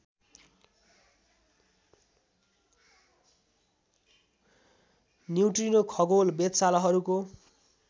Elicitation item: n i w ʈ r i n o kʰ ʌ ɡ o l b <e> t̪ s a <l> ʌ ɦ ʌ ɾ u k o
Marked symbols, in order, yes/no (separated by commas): yes, yes